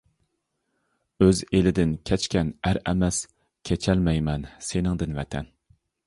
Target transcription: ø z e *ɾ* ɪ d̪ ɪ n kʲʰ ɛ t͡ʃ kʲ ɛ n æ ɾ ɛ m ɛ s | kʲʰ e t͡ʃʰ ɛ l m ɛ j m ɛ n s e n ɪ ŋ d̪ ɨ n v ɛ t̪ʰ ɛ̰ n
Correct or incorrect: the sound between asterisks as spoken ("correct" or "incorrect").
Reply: incorrect